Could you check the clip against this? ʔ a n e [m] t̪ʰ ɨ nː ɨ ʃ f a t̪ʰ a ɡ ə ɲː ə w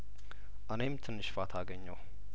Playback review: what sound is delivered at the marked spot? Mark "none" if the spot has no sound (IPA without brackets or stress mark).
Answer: m